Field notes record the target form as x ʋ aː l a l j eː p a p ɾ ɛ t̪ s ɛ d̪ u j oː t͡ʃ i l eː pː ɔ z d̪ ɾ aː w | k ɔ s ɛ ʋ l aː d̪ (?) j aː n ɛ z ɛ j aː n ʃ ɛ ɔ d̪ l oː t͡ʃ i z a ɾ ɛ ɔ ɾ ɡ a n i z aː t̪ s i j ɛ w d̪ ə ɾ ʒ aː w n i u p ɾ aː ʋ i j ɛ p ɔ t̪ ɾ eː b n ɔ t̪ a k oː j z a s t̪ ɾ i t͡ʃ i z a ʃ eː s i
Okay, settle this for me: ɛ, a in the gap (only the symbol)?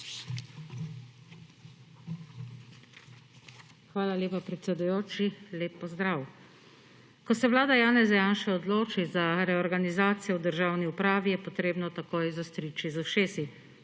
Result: a